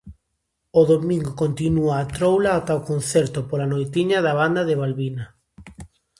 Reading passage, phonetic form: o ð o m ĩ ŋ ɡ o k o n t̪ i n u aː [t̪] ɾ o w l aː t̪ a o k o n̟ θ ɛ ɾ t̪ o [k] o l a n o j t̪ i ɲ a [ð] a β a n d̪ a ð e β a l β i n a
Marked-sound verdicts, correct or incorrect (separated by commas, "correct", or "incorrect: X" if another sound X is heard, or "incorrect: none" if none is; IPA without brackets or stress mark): correct, incorrect: p, correct